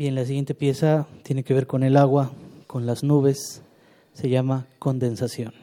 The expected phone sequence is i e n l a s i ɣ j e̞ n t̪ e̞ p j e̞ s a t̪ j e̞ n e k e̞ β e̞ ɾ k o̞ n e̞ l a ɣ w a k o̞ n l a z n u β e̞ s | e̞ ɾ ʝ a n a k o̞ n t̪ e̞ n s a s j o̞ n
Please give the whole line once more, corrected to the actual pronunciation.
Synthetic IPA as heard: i e n l a s i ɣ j e̞ n t̪ e̞ p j e̞ s a t̪ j e̞ n e k e̞ β e̞ ɾ k o̞ n e̞ l a ɣ w a k o̞ n l a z n u β e̞ sː | e̞ ʝ a m a k o̞ n d̪ e̞ n s a s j o̞ n